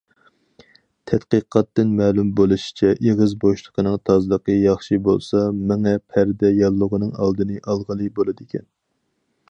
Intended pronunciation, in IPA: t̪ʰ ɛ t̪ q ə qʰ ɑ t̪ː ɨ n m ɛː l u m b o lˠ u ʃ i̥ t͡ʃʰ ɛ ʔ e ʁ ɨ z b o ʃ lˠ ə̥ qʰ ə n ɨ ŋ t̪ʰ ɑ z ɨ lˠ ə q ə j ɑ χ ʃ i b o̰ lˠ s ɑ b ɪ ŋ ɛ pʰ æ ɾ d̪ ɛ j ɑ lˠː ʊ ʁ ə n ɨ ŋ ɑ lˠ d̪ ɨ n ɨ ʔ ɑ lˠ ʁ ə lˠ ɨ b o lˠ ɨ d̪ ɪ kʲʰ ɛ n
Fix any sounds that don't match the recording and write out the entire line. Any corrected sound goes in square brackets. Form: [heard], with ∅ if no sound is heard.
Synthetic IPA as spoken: t̪ʰ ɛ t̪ q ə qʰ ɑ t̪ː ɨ n m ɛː l u m b o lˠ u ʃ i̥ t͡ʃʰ ɛ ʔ e ʁ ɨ z b o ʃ lˠ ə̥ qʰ ə n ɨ ŋ t̪ʰ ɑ z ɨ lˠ ə q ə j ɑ χ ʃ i b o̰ lˠ s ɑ [m] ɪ ŋ ɛ pʰ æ ɾ d̪ ɛ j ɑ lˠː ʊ ʁ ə n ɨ ŋ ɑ lˠ d̪ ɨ n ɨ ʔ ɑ lˠ ʁ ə lˠ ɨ b o lˠ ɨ d̪ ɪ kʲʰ ɛ n